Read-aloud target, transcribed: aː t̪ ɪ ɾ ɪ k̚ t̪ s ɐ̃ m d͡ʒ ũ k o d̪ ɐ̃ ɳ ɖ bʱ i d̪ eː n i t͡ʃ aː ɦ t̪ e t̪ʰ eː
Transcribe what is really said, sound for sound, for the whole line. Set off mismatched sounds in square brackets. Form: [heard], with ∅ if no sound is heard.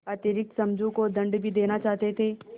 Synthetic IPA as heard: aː t̪ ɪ ɾ ɪ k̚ t̪ s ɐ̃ m d͡ʒ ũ k o d̪ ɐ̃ ɳ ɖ bʱ i d̪ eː n [a] t͡ʃ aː ɦ t̪ e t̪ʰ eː